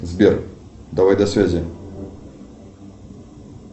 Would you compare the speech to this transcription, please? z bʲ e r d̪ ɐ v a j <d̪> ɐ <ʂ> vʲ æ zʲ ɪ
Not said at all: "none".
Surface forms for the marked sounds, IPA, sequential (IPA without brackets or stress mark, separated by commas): d̪, s